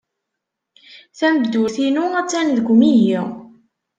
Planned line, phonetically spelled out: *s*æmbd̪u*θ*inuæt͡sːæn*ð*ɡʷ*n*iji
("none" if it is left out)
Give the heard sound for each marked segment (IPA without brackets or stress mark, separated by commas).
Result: θ, θ, ð, m